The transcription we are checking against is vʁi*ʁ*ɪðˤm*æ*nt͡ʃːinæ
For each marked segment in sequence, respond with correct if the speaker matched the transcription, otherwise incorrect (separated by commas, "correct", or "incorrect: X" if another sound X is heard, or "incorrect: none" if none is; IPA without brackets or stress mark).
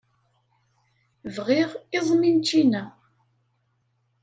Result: correct, incorrect: i